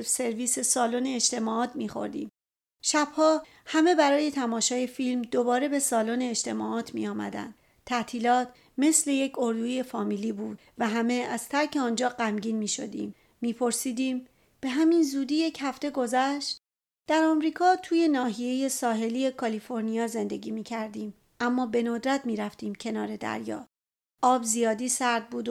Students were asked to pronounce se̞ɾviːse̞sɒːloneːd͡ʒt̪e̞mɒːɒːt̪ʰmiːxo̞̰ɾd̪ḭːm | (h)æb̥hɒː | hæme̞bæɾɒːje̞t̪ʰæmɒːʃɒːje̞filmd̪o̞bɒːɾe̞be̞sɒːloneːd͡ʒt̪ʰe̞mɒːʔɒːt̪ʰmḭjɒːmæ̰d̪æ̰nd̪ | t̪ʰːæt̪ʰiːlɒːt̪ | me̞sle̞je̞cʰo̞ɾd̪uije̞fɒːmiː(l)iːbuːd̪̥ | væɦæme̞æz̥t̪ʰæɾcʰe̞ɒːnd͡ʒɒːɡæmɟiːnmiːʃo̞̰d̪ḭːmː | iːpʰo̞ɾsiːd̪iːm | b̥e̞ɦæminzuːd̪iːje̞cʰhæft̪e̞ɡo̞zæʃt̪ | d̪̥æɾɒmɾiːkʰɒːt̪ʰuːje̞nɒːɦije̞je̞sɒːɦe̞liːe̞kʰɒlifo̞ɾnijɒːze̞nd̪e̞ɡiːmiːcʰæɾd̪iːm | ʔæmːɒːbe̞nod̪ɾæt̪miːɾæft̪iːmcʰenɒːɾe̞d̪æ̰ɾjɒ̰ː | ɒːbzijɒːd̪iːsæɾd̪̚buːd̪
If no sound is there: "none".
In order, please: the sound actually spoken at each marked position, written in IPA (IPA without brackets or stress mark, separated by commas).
ʃ, l